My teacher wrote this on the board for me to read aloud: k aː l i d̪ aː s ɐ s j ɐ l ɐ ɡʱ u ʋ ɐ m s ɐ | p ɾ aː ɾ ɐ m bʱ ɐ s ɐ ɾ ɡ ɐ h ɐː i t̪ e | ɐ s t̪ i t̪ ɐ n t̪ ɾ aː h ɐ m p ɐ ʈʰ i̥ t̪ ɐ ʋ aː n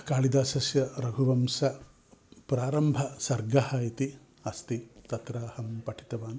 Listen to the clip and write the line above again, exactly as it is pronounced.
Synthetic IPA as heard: k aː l i d̪ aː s ɐ s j ɐ ɾ ɐ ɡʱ u ʋ ɐ m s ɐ | p ɾ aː ɾ ɐ m bʱ ɐ s ɐ ɾ ɡ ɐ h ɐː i t̪ i | ɐ s t̪ i t̪ ɐ t̪ ɾ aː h ɐ m p ɐ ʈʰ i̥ t̪ ɐ ʋ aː n